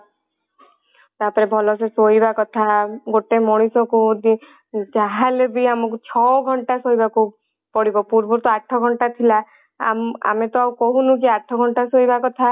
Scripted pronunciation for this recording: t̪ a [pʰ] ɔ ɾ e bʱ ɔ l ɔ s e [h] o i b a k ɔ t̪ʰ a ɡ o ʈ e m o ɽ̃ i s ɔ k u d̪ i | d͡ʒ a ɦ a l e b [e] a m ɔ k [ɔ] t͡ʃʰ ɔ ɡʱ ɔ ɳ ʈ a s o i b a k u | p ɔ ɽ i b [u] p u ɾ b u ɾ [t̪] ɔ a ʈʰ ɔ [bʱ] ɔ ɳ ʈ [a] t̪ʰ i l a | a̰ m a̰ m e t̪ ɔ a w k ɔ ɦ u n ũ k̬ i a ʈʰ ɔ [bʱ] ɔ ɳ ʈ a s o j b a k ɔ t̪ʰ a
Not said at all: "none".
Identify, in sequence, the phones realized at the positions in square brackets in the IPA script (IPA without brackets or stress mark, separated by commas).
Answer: p, s, i, u, ɔ, t̪, ɡʱ, a, ɡʱ